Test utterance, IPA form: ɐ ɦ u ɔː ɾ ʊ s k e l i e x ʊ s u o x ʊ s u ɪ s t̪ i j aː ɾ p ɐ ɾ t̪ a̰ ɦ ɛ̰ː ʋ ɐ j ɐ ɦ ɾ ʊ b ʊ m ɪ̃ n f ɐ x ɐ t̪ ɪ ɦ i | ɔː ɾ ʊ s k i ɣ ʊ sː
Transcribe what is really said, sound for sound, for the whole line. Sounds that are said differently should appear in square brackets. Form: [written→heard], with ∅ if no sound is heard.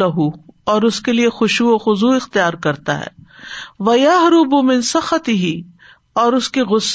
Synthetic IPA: ɐ ɦ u ɔː ɾ ʊ s k e l i e x ʊ [s→ʃ] u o x ʊ [s→z] u ɪ [s→x] t̪ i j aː ɾ [p→k] ɐ ɾ t̪ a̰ ɦ ɛ̰ː ʋ ɐ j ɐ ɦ ɾ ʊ b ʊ m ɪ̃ n [f→s] ɐ x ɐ t̪ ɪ ɦ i | ɔː ɾ ʊ s k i ɣ ʊ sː